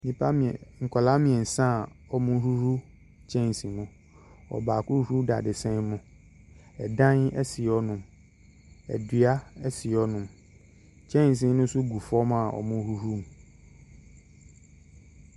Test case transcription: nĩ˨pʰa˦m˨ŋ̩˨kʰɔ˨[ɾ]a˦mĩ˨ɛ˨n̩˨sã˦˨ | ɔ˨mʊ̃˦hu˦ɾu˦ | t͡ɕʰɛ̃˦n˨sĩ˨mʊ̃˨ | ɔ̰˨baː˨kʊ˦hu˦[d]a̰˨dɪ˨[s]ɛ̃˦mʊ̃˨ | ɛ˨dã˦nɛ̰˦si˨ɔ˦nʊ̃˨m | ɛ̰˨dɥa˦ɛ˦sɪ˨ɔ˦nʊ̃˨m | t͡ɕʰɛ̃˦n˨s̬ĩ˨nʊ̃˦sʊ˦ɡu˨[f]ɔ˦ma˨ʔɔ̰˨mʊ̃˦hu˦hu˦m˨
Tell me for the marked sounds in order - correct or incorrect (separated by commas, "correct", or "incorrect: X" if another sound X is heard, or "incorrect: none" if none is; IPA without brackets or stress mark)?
incorrect: l, correct, correct, correct